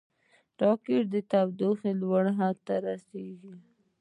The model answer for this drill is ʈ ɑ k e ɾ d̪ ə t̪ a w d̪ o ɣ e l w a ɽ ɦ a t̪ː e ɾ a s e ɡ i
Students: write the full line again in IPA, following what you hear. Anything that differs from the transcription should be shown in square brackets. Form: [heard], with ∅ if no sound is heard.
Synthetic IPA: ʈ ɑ k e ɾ d̪ ə t̪ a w d̪ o [x] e l w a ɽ ɦ a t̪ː [a] ɾ a s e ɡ i

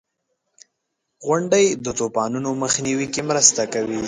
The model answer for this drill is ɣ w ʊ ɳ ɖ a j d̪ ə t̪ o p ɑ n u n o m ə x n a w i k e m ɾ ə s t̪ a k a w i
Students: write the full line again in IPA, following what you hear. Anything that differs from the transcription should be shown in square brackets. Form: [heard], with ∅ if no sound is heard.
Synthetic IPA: ɣ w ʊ ɳ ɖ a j d̪ ə t̪ o p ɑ n u n o m ə x n [i] w i k e m ɾ ə s t̪ a k a w i

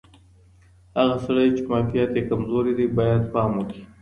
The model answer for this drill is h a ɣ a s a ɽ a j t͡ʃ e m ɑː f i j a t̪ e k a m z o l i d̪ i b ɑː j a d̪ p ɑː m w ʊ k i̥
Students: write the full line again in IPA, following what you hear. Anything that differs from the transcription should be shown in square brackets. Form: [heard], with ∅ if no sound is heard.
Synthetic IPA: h a ɣ a s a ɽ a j t͡ʃ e m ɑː f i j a t̪ e k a m z o [ɾ] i d̪ i b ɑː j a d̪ p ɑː m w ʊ k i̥

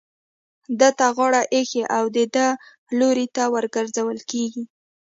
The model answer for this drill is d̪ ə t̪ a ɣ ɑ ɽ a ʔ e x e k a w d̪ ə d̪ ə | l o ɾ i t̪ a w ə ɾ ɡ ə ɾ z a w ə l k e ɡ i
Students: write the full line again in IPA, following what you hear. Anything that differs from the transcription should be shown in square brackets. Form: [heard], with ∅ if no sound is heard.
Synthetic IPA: d̪ ə t̪ a ɣ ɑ ɽ a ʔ e x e [ʔ] a w d̪ ə d̪ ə | l o ɾ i t̪ a w ə ɾ ɡ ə ɾ z a w ə l k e ɡ i

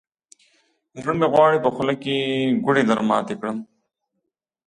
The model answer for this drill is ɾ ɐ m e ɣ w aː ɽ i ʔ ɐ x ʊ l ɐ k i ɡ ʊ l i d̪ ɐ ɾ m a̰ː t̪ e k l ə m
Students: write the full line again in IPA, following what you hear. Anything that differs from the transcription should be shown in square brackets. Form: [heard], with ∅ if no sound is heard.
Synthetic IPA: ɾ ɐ m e ɣ w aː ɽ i [p] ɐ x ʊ l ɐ k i ɡ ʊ [ɽ] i d̪ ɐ ɾ m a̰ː t̪ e k [ɽ] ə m

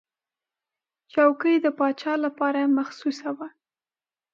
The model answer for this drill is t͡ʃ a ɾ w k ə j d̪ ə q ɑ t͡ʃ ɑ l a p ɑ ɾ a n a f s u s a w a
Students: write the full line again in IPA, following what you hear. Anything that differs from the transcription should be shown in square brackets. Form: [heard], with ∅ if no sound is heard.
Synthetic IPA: t͡ʃ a [∅] w k ə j d̪ ə [p] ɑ t͡ʃ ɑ l a p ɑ ɾ a [m] a [x] s u s a w a

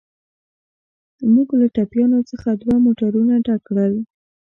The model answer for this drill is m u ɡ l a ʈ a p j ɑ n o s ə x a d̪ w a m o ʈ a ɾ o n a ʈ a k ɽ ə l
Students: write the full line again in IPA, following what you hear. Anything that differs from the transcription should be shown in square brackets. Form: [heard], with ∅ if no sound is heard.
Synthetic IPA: m u ɡ l a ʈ a p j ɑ n o [t͡s] ə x a d̪ w a m o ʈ a ɾ [u] n a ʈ a k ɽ ə l

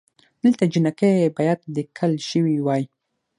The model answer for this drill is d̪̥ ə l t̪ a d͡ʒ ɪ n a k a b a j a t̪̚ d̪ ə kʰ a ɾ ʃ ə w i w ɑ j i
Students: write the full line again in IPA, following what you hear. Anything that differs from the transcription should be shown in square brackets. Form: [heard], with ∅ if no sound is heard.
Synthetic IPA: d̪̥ ə l t̪ a d͡ʒ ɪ n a k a b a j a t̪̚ d̪ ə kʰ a [l] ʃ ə w i w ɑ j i

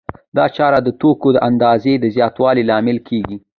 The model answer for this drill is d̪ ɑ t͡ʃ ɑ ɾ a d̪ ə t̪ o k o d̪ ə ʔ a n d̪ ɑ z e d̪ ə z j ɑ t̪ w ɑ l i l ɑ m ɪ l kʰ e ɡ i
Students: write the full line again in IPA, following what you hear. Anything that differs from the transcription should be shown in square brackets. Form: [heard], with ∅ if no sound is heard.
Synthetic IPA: d̪ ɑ t͡ʃ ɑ ɾ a d̪ ə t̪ o k o d̪ ə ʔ a n d̪ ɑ z e d̪ ə z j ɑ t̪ w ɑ l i l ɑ m ɪ l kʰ e ɡ i

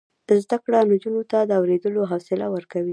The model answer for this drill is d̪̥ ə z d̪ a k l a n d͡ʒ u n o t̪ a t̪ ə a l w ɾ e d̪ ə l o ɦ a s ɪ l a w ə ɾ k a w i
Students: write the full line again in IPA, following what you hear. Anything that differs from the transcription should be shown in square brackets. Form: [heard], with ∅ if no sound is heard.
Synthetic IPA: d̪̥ ə z d̪ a k [ɽ] a n d͡ʒ u n o t̪ a [d̪] ə a [∅] w ɾ e d̪ ə l o ɦ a s ɪ l a w ə ɾ k a w i

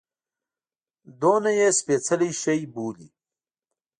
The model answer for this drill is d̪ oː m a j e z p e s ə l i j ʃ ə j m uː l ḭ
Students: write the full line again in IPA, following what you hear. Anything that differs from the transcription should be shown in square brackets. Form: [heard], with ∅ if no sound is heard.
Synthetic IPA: d̪ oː [n] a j e [s] p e [t͡s] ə l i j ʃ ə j [b] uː l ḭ

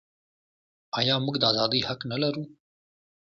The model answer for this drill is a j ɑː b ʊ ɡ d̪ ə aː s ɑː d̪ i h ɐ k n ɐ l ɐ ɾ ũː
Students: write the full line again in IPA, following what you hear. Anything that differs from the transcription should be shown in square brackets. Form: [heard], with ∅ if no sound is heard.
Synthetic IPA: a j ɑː [m] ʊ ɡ d̪ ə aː [z] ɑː d̪ i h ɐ k n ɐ l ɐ ɾ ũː

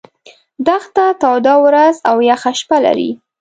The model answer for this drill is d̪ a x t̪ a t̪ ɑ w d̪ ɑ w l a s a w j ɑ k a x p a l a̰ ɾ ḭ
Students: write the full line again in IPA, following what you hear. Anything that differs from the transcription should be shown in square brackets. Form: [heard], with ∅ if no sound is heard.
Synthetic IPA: d̪ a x t̪ a t̪ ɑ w d̪ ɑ w [ɾ] a [z] a w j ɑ [x] a [ʃ] p a l a̰ ɾ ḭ

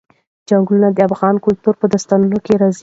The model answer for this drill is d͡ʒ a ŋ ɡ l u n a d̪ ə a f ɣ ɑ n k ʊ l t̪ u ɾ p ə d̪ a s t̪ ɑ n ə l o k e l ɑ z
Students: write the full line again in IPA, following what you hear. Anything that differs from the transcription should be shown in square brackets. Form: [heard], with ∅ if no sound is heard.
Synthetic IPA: d͡ʒ a ŋ ɡ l u n a d̪ ə a f ɣ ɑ n k ʊ l t̪ u ɾ p ə d̪ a s t̪ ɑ n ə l o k e [ɾ] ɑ z

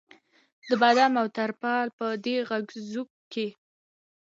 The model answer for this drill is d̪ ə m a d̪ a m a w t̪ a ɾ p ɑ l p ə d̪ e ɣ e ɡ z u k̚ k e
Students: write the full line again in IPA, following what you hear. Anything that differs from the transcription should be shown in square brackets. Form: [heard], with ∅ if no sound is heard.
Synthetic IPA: d̪ ə [b] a d̪ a m a w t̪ a ɾ p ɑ l p ə d̪ e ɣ [a] ɡ z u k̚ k e

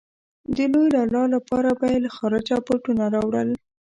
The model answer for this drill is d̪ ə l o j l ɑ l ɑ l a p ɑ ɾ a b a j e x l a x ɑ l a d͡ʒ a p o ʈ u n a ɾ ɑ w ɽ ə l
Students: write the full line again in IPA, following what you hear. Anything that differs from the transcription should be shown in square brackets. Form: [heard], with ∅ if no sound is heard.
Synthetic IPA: d̪ ə l o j l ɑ l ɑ l a p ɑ ɾ a b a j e [∅] l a x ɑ [ɾ] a d͡ʒ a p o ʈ u n a ɾ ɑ w ɽ ə l

